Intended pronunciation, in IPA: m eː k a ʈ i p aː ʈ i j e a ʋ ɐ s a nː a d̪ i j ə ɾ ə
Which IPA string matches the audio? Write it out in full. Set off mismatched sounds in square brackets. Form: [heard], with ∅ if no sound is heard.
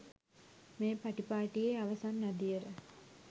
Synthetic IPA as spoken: m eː [p] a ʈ i p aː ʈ i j e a ʋ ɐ s a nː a d̪ i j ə ɾ ə